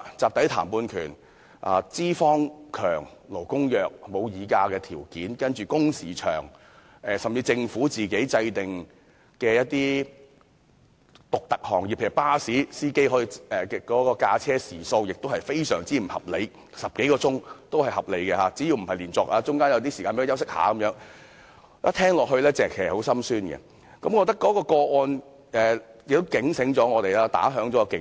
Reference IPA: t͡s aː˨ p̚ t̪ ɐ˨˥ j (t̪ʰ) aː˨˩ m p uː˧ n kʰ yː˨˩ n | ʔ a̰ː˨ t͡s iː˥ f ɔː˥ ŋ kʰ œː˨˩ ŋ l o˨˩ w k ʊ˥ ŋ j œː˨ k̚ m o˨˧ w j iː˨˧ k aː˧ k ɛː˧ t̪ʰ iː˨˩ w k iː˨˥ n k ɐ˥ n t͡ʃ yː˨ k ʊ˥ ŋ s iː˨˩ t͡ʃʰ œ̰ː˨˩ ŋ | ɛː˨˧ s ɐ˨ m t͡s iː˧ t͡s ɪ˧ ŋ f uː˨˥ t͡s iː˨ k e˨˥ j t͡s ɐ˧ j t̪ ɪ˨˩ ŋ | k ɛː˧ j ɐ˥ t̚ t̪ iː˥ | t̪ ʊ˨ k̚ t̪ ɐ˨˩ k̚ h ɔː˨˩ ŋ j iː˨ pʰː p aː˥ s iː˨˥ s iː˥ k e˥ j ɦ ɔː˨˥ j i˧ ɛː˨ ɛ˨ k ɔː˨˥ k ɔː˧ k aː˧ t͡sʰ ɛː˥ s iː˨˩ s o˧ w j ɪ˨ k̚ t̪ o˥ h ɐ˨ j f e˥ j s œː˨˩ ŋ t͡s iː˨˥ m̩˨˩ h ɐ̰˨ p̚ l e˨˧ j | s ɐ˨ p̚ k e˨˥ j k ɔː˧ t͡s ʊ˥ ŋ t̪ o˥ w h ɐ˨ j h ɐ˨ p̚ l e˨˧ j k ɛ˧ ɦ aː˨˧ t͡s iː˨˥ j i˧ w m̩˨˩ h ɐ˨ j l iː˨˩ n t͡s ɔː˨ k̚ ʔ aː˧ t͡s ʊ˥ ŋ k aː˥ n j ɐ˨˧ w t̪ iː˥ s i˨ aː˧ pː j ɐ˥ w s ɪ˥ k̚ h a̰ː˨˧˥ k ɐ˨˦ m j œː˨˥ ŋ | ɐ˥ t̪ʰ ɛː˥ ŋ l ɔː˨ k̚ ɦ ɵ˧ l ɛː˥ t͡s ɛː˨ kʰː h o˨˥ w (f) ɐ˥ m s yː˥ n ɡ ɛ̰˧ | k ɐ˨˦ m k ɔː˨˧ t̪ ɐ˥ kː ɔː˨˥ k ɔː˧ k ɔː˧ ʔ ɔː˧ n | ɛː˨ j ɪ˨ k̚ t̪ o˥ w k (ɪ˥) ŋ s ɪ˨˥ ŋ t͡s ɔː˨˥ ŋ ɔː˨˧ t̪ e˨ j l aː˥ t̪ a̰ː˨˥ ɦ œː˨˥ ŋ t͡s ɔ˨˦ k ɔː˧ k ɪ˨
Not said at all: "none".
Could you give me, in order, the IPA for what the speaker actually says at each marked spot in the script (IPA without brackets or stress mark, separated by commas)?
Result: t̪ʰ, s, ɪ˨˥